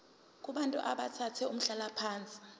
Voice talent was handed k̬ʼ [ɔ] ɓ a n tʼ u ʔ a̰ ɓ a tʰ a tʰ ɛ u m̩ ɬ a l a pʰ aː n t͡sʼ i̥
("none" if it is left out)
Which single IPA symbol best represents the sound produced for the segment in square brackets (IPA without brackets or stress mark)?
u